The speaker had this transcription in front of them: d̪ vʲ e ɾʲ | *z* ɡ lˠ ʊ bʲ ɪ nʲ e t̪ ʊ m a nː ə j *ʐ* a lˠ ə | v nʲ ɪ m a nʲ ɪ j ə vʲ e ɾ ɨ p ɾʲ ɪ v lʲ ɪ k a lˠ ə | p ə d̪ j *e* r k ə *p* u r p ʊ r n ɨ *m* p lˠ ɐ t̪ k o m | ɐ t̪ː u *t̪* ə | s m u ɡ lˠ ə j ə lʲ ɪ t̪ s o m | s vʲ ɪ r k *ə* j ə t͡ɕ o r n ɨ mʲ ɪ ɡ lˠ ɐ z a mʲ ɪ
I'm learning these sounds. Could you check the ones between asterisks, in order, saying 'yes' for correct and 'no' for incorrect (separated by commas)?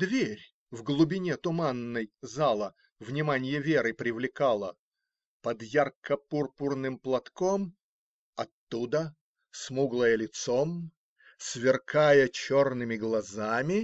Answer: no, no, no, yes, yes, no, no